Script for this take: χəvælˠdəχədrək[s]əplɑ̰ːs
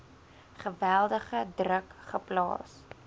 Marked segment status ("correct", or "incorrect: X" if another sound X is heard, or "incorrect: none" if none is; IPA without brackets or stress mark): incorrect: χ